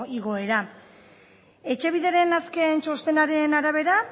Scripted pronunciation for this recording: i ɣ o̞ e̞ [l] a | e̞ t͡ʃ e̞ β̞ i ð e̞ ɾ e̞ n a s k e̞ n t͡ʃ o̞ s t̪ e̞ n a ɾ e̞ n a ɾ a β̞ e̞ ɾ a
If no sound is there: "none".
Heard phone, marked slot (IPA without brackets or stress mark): ɾ